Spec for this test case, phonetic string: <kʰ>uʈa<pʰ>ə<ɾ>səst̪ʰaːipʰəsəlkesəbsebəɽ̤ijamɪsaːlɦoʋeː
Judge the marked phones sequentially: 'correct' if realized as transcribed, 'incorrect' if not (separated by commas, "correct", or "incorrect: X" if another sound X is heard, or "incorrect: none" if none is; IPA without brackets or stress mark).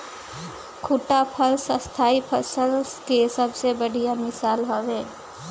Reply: correct, correct, incorrect: l